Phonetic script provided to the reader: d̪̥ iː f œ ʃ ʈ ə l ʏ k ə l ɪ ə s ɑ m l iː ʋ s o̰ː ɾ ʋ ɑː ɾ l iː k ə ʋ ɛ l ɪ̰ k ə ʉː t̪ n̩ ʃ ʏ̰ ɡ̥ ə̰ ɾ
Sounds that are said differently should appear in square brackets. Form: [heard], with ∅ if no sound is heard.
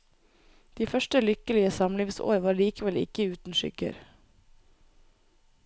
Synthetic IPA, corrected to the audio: d̪̥ iː f œ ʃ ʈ ə l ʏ k ə l ɪ ə s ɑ m l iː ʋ s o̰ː ɾ ʋ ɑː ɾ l iː k ə ʋ ɛ l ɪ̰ k ə ʉː t̪ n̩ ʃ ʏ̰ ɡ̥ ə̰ ɾ